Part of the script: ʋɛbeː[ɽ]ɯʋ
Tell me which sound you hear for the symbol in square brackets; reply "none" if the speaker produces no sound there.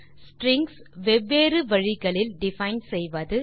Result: ɾ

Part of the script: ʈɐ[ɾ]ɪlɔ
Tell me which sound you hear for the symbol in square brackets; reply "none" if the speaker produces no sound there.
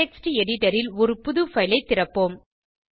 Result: ɾ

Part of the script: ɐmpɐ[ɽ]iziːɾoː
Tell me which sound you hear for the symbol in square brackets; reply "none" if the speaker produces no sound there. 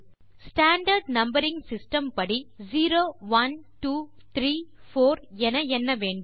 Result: ɽ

